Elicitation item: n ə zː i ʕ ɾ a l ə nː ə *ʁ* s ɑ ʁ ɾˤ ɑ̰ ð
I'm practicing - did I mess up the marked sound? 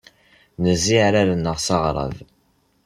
no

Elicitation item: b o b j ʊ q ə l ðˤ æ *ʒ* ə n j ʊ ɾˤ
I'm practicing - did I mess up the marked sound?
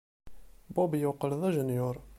no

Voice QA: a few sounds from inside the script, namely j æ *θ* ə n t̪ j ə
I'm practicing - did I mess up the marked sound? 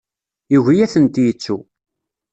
no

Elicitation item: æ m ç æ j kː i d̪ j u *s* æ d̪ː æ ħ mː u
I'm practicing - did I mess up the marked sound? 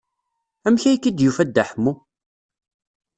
yes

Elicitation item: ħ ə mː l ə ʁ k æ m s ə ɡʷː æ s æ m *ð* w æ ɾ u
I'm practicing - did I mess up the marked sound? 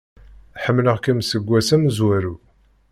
yes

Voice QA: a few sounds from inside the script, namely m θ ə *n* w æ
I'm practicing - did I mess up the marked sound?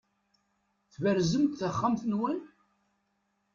no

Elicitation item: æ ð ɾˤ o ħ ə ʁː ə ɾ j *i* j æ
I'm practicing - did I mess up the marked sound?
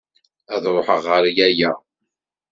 yes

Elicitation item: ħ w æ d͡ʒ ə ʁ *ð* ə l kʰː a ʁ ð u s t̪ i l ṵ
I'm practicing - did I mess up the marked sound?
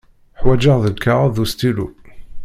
no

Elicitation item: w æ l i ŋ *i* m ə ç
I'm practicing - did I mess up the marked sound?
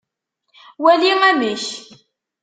yes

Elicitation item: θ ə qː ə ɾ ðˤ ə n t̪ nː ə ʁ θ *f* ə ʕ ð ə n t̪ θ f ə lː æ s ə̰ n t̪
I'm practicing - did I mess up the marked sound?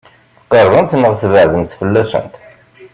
yes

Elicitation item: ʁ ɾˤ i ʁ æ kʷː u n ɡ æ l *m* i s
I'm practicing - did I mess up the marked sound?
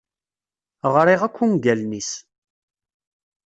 yes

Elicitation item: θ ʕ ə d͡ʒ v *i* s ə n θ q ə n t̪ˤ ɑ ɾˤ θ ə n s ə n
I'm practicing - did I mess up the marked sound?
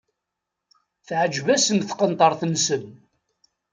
yes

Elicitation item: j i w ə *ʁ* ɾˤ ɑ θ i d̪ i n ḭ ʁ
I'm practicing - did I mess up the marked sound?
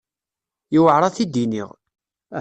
yes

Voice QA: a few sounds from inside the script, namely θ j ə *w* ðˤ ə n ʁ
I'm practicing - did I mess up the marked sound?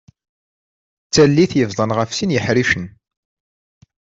yes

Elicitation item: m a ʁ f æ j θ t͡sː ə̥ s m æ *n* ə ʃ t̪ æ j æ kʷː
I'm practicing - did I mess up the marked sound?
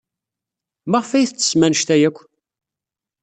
no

